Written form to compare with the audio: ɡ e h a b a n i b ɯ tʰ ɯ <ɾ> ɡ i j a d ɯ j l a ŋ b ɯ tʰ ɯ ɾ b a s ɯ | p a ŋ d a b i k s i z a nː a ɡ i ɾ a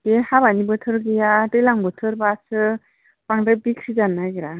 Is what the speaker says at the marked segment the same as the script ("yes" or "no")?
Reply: yes